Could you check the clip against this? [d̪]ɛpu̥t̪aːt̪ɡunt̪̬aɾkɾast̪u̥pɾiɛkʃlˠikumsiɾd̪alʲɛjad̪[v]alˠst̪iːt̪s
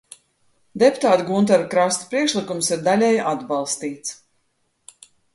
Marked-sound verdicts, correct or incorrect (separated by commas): correct, incorrect